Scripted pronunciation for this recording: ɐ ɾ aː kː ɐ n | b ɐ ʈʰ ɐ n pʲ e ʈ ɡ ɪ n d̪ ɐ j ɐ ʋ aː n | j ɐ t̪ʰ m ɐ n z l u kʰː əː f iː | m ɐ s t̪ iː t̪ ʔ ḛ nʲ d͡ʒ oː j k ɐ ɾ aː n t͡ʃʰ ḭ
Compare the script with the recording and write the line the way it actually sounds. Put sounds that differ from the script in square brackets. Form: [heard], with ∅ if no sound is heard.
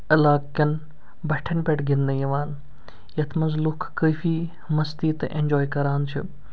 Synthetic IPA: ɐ [l] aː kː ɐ n | b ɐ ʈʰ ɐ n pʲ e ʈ ɡ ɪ n d̪ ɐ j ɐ ʋ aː n | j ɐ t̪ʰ m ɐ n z l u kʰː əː f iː | m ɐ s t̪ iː t̪ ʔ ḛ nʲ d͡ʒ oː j k ɐ ɾ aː n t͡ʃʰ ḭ